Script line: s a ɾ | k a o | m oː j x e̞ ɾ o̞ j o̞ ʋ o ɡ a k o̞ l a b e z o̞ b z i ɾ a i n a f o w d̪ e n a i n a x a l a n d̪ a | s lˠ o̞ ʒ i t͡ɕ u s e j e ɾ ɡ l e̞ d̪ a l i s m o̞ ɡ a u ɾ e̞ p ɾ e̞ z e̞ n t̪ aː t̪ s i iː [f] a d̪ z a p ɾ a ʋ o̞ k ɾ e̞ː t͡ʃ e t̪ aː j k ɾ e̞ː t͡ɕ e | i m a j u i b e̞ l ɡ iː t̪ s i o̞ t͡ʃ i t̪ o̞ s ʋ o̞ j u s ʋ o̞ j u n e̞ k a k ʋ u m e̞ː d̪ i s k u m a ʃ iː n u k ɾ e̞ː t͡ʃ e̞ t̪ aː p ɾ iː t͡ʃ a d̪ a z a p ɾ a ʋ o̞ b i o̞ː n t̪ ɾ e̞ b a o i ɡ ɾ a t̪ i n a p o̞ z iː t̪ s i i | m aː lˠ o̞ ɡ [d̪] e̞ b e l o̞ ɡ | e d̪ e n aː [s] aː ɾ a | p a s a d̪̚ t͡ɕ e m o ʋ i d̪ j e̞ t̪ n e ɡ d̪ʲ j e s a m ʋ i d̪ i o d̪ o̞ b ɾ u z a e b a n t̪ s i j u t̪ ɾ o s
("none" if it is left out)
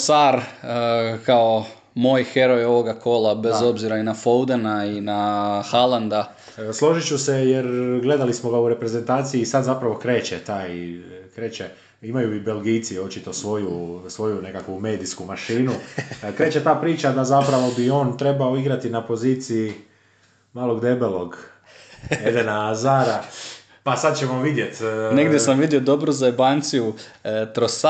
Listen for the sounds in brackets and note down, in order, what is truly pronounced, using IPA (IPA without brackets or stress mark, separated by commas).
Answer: s, d̪, z